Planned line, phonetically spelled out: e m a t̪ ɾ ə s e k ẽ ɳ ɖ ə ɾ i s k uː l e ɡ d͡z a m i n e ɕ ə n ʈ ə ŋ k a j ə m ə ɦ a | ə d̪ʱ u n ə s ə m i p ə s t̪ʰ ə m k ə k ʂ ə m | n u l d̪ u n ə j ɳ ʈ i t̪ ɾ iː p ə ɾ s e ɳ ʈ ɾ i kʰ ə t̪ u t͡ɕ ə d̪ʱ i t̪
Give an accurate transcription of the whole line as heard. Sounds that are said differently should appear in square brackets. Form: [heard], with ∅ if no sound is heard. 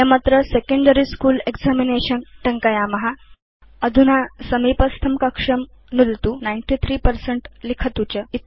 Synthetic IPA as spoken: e m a t̪ ɾ ə s e k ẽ ɳ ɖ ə ɾ i s k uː l e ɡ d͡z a m i n e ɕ ə n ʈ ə ŋ k a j [a] m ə ɦ a | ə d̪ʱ u n [a] s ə m i p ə s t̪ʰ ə m k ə k ʂ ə m | n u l [t̪] u n [a] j ɳ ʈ i [t̪ʰ] ɾ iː p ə ɾ s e ɳ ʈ [l] i kʰ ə t̪ u t͡ɕ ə [∅] i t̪